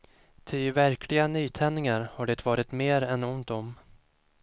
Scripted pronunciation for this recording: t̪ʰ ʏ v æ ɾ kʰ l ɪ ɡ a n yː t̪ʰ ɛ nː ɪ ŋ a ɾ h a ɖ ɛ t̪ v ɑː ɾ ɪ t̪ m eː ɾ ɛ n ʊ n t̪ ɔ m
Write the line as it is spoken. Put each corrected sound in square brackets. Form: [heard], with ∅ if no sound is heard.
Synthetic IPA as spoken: t̪ʰ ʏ v æ ɾ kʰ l ɪ ɡ a n yː t̪ʰ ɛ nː ɪ ŋ a ɾ h a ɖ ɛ t̪ v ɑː ɾ ɪ t̪ m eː ɾ ɛ n ʊ n t̪ ɔ m